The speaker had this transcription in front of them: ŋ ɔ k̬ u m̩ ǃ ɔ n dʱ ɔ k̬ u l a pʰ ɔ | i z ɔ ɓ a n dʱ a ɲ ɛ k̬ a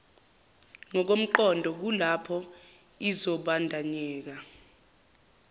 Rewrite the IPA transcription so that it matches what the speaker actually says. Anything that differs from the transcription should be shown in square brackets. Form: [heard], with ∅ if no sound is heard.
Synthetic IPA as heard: ŋ ɔ k̬ [o] m̩ ǃ ɔ n dʱ ɔ k̬ u l a pʰ ɔ | i z ɔ ɓ a n dʱ a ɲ [ɛː] k̬ a